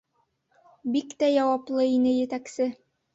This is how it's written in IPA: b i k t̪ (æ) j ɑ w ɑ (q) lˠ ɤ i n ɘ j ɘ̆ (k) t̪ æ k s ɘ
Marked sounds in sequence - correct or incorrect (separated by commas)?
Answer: correct, incorrect, incorrect